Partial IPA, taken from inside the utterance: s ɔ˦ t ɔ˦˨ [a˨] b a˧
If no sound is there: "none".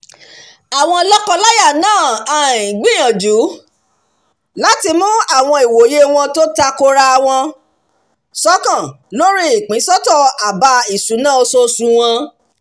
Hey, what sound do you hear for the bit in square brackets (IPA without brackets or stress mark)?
a˨